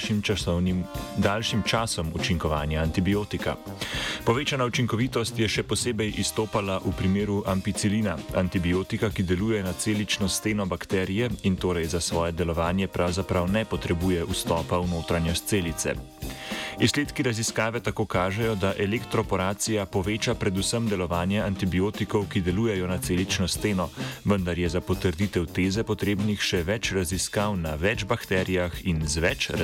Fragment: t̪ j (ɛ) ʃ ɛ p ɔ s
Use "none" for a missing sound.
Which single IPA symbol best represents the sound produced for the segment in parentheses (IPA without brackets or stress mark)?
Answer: ɛ